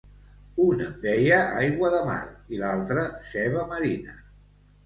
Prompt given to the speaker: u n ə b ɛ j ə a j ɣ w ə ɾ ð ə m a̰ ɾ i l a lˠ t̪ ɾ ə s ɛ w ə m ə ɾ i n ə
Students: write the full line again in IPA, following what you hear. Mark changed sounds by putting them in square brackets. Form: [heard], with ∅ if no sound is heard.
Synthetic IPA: u n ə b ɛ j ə a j ɣ w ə [∅] ð ə m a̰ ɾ i l a lˠ t̪ ɾ ə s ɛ [β] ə m ə ɾ i n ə